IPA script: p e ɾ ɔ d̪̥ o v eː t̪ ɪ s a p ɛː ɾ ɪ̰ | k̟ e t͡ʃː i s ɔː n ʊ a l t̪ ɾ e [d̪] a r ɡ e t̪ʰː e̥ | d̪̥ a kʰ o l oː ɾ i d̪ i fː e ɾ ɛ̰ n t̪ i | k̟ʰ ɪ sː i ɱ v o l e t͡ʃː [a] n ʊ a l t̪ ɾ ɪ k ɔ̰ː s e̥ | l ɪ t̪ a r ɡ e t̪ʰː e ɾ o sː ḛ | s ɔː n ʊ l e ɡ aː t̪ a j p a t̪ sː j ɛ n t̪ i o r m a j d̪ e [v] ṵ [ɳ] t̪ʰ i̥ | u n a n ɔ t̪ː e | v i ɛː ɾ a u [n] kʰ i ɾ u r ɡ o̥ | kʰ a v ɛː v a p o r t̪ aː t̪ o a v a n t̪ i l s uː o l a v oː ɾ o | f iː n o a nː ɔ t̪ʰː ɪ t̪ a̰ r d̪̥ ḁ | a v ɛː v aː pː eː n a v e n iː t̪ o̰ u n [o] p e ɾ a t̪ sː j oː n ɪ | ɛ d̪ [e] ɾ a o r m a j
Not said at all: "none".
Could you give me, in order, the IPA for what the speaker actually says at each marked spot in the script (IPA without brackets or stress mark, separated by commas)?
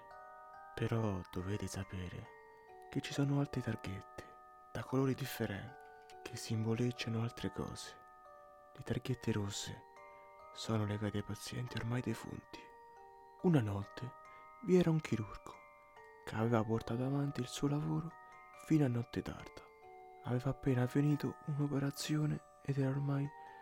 t̪, a, f, n, ŋ, o, ɛ